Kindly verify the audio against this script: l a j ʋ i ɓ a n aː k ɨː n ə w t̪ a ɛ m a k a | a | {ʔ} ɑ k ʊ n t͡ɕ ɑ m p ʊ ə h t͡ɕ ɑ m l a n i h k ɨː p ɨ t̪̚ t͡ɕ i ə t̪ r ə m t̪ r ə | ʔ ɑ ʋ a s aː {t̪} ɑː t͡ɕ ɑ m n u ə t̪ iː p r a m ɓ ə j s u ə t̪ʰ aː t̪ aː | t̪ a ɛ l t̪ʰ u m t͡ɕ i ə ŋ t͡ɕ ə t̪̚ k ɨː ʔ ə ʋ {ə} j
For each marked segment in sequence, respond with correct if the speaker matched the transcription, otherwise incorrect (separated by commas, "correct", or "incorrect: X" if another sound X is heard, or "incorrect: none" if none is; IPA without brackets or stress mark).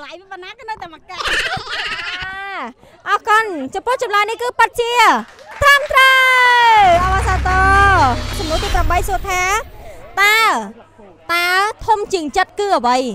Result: correct, correct, correct